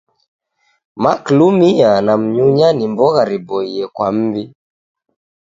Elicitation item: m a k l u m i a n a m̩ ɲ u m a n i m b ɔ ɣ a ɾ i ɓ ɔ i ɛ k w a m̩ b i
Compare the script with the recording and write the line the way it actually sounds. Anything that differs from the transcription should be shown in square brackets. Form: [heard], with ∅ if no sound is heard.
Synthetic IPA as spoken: m a k l u m i a n a m̩ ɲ u [ɲ] a n i m b ɔ ɣ a ɾ i [b] ɔ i ɛ k w a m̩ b i